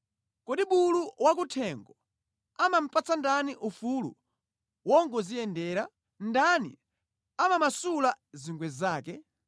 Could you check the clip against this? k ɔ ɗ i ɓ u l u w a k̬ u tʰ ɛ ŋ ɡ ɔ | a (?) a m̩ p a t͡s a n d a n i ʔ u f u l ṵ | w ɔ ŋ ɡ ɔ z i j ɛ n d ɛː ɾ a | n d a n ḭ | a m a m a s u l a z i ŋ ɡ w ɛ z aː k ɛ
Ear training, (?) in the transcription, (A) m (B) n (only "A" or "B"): A